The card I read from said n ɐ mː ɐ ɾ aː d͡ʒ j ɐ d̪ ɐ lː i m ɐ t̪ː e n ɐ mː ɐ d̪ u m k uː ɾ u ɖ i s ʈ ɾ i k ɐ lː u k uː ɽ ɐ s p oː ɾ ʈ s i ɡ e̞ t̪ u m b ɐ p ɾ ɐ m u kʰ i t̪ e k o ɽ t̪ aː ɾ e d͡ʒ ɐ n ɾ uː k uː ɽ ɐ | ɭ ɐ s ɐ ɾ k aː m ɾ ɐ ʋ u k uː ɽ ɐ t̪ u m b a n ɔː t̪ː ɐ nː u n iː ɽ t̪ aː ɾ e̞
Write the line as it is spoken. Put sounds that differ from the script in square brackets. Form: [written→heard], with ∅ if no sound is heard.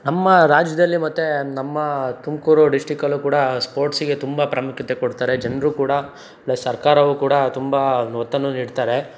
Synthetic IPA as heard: n ɐ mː ɐ ɾ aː d͡ʒ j ɐ d̪ ɐ lː i m ɐ t̪ː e n ɐ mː ɐ [d̪→t̪] u m k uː ɾ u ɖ i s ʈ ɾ i k ɐ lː u k uː ɽ ɐ s p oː ɾ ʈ s i ɡ e̞ t̪ u m b ɐ p ɾ ɐ m u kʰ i t̪ e k o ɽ t̪ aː ɾ e d͡ʒ ɐ n ɾ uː k uː ɽ ɐ | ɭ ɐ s ɐ ɾ k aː [m→∅] ɾ ɐ ʋ u k uː ɽ ɐ t̪ u m b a n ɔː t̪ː ɐ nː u n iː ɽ t̪ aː ɾ e̞